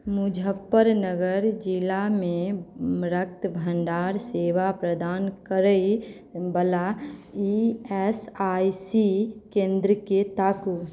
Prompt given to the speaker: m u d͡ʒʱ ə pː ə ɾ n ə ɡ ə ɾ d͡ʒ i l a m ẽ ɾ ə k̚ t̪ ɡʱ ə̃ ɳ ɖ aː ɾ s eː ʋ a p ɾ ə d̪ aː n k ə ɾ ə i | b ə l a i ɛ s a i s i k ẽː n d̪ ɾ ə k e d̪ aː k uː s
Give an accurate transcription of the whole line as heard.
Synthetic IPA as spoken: m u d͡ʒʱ ə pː ə ɾ n ə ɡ ə ɾ d͡ʒ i l a m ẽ ɾ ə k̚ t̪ bʱ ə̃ ɳ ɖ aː ɾ s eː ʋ a p ɾ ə d̪ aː n k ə ɾ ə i | b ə l a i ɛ s a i s i k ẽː n d̪ ɾ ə k e t̪ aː k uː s